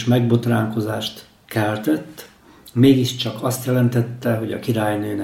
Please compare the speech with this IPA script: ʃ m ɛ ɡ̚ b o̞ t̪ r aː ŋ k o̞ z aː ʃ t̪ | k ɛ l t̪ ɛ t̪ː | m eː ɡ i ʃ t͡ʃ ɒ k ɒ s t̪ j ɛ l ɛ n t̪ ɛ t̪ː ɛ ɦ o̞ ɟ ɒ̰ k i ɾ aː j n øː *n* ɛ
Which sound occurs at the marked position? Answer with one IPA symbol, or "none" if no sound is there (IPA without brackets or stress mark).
n